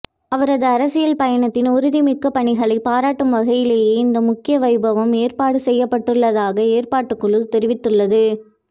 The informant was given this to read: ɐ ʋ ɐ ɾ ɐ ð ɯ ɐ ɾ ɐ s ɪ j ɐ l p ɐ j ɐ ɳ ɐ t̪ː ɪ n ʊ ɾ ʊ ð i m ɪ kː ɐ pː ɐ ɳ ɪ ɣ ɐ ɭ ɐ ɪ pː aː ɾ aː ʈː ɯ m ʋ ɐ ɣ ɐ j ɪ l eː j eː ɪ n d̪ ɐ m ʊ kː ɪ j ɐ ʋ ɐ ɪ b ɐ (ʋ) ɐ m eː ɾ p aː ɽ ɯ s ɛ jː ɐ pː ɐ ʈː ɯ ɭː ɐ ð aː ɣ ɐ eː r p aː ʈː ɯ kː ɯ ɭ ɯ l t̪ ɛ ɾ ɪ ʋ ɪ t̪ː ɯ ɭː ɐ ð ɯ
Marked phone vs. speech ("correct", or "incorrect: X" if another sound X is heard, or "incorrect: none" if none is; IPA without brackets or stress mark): correct